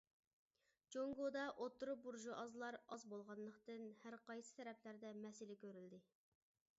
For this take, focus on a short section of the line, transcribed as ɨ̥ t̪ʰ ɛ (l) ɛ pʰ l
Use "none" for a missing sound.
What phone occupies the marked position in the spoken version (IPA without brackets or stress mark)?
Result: ɾ